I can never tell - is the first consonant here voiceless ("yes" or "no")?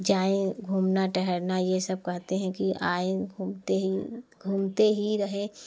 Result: no